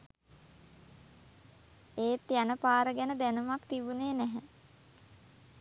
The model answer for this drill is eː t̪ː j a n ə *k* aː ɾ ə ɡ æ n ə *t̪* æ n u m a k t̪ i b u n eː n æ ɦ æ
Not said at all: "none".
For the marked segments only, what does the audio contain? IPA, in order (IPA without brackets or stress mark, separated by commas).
p, d̪